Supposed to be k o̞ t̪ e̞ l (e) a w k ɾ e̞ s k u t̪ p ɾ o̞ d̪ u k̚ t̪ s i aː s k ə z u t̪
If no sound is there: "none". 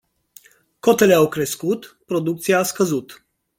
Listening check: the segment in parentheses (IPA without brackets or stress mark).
e